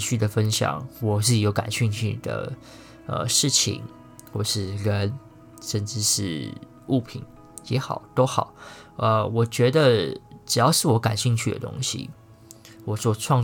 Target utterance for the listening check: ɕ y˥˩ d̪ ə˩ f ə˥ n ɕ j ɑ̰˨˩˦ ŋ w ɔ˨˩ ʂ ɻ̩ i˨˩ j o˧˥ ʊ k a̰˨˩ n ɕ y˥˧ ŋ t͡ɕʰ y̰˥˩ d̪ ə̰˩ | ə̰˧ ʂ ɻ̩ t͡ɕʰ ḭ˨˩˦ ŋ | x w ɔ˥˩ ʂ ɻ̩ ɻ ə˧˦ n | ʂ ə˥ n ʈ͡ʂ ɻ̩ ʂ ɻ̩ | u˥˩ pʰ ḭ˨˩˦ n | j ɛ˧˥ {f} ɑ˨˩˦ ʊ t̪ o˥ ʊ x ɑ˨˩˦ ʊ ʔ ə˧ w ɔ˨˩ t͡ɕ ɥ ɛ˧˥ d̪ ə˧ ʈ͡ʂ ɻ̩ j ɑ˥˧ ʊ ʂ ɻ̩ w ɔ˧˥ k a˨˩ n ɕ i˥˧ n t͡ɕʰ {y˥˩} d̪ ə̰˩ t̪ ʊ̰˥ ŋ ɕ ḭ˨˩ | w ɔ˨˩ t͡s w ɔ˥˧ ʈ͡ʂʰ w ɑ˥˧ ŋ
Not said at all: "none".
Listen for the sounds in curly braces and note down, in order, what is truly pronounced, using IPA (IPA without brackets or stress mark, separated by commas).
x, y˥˩